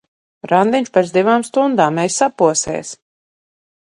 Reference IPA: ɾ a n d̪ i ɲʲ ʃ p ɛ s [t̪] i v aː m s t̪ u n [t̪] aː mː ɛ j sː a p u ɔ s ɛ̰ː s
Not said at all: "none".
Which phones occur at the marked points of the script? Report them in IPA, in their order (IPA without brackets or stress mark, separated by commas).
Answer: d̪, d̪